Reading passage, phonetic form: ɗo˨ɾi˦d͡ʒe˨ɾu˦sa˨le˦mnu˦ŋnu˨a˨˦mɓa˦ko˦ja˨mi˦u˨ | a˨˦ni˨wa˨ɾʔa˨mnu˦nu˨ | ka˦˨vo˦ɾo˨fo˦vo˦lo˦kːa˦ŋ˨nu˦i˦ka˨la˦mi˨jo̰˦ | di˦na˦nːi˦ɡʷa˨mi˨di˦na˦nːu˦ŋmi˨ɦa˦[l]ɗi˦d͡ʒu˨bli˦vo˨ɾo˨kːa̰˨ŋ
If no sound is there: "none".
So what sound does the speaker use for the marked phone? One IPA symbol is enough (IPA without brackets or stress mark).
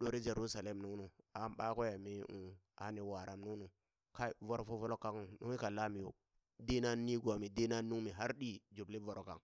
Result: ɾ